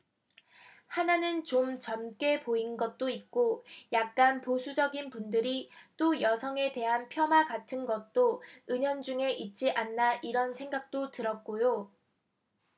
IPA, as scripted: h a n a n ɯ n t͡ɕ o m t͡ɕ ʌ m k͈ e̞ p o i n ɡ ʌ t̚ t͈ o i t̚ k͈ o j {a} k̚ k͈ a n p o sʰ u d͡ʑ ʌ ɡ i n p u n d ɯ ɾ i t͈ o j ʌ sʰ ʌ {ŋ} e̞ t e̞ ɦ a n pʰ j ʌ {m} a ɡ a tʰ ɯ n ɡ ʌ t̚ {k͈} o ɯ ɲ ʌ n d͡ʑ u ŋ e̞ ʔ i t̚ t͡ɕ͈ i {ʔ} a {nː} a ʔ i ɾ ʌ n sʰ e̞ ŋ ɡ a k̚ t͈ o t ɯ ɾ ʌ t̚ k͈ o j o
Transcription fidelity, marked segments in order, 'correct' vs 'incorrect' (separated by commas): correct, correct, correct, incorrect, correct, correct